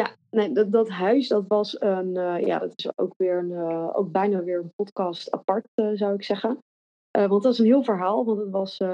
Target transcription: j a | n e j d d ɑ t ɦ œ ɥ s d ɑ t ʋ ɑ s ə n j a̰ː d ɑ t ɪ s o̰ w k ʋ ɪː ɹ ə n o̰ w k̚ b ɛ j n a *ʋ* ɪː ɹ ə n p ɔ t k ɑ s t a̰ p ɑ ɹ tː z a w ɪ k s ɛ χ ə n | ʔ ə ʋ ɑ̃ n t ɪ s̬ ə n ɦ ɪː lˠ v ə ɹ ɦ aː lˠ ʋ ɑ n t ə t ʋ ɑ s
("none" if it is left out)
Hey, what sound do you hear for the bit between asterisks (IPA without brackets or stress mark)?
ʋ